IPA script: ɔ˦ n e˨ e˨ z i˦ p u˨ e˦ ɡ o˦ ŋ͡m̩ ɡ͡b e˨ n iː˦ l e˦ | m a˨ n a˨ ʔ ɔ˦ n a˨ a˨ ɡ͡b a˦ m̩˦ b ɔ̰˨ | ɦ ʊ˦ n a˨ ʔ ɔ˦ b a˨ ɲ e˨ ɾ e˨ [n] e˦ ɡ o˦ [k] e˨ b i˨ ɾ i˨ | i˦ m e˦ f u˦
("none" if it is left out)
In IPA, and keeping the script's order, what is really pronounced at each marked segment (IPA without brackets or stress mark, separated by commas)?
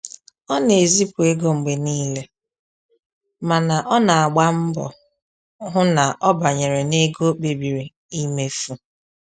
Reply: n, k͡p